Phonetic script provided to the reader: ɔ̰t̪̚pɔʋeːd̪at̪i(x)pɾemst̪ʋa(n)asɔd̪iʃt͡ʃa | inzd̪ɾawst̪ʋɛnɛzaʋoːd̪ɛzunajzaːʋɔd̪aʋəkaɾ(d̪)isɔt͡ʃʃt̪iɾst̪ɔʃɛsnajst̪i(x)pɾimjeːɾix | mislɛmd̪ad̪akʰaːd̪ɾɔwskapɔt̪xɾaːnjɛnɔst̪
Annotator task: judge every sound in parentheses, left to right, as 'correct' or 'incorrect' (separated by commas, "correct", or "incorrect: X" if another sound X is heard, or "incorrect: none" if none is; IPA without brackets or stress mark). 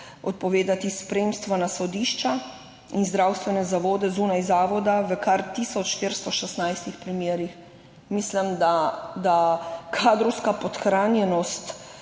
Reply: incorrect: s, correct, incorrect: t̪, correct